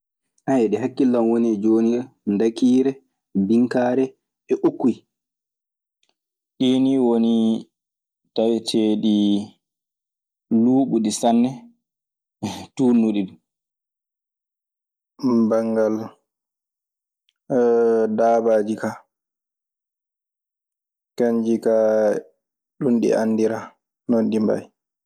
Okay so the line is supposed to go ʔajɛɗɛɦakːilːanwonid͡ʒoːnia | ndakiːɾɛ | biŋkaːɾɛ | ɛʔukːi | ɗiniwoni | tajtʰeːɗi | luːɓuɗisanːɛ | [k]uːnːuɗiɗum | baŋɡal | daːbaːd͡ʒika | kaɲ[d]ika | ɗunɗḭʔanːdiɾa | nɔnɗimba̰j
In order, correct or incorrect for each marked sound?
incorrect: t, incorrect: d͡ʒ

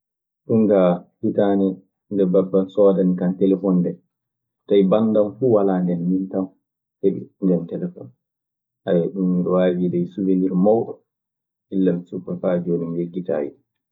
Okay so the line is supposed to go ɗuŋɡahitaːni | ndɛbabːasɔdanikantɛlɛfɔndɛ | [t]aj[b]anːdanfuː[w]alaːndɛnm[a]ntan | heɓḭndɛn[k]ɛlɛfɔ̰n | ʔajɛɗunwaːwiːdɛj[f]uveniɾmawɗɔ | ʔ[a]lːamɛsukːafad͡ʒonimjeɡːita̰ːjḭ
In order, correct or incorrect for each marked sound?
correct, correct, correct, incorrect: i, incorrect: t, incorrect: s, incorrect: i

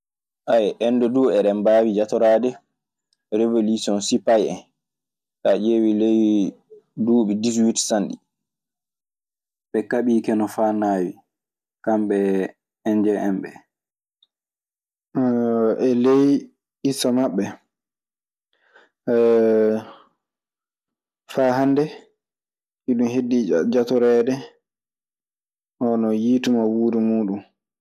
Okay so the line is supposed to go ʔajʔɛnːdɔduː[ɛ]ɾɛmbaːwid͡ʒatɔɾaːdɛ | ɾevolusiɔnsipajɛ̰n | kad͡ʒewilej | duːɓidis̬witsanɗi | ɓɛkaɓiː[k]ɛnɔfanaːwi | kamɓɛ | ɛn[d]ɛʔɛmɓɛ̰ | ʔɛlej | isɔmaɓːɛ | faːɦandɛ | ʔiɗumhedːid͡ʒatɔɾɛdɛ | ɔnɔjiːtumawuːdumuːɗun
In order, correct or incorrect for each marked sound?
correct, correct, incorrect: d͡ʒ

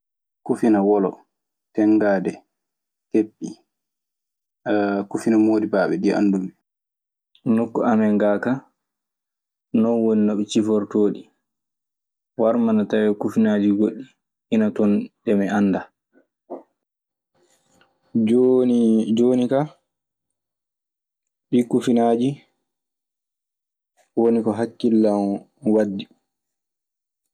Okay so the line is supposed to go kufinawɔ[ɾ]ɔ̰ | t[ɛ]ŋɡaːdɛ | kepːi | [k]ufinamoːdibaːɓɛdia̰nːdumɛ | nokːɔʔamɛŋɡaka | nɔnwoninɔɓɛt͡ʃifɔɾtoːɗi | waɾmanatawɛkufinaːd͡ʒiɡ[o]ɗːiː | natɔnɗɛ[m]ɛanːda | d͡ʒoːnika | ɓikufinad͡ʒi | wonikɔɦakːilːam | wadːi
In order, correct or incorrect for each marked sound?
incorrect: l, correct, correct, correct, correct

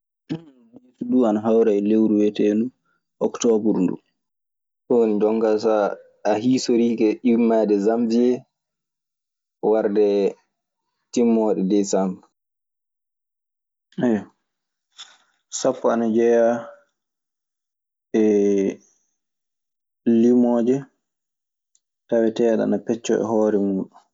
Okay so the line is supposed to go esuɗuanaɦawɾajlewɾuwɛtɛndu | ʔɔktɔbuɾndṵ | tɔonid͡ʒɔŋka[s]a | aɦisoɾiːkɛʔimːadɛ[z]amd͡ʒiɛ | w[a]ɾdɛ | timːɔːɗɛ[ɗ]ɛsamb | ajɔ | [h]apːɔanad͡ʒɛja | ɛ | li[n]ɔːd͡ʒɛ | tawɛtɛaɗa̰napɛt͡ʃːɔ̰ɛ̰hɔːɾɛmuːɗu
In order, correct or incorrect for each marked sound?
correct, correct, correct, incorrect: d, incorrect: s, incorrect: m

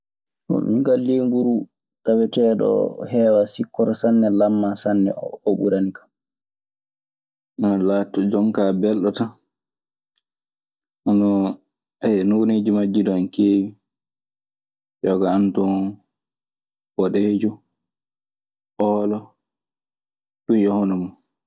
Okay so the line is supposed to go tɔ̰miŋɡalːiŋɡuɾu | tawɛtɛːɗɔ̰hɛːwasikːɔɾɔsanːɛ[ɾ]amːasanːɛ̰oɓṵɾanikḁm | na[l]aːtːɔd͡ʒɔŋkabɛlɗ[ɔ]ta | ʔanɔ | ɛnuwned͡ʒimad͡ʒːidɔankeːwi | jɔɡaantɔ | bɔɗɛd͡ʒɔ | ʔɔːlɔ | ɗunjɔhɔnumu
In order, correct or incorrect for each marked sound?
incorrect: l, correct, correct

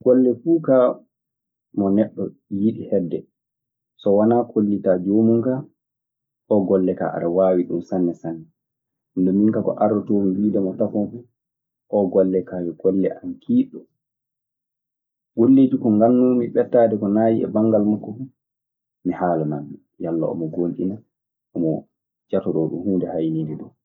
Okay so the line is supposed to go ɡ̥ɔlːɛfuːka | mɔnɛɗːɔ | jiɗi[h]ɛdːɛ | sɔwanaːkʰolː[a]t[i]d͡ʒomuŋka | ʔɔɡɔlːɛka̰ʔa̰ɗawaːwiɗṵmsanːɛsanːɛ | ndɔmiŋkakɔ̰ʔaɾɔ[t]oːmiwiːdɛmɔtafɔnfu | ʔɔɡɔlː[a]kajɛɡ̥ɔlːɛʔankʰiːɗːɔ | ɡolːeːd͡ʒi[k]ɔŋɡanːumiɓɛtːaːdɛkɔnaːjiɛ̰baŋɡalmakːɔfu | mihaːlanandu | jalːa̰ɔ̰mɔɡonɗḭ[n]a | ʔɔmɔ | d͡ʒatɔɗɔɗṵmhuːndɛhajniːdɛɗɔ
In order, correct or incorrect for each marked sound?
correct, incorrect: i, incorrect: a, correct, incorrect: ɛ, correct, correct

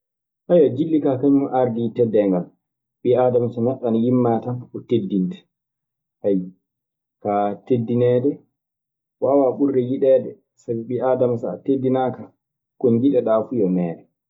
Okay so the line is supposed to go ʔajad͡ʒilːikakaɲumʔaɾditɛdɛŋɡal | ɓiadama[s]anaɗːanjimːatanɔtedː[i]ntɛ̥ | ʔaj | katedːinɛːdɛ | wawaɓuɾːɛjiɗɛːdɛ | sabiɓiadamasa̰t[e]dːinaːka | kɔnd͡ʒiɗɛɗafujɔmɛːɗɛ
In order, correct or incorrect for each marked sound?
correct, correct, correct

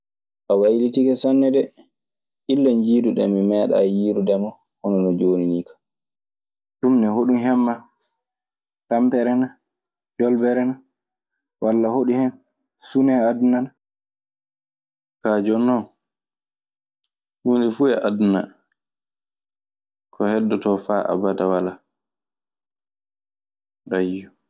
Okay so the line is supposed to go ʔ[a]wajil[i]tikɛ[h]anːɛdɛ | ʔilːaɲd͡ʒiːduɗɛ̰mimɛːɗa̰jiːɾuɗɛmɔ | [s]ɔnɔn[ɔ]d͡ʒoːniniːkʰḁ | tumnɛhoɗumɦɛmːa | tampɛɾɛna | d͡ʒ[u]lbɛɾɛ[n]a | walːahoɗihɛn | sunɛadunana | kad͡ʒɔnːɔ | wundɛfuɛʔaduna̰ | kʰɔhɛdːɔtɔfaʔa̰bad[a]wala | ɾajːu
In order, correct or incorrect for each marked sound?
correct, correct, incorrect: s, incorrect: h, correct, incorrect: ɔ, correct, correct

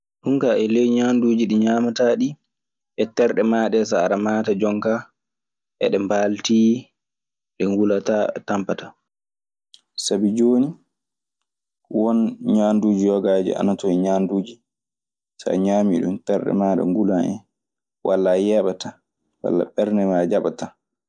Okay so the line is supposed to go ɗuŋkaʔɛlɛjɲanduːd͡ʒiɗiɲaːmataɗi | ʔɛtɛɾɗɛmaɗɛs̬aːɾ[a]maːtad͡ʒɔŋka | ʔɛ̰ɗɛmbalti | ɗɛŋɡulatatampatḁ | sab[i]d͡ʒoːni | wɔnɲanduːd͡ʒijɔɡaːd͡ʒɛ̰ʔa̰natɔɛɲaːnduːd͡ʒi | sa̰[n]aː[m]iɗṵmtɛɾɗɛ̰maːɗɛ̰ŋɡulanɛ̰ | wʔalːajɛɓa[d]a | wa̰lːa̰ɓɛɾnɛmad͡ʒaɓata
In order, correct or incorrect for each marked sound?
correct, correct, incorrect: ɲ, correct, incorrect: t

